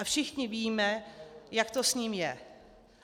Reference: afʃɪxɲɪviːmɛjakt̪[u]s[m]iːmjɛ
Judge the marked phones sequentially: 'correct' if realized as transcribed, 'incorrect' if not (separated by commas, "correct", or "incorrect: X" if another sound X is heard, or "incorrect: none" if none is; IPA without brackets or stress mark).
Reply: incorrect: o, incorrect: ɲ